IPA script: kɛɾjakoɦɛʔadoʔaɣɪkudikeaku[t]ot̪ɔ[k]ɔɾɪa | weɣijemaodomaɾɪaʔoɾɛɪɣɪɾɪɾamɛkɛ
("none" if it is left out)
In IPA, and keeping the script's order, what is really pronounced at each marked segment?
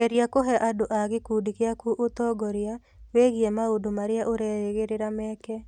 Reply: ʔ, ɡ

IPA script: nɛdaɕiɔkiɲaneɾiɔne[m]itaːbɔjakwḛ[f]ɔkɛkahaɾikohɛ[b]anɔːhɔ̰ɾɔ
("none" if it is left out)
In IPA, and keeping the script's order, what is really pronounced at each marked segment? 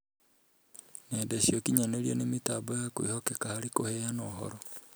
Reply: m, h, none

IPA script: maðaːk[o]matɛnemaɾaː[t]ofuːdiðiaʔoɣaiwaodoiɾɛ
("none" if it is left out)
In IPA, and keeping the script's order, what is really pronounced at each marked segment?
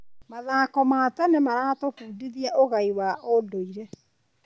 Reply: ɔ, t

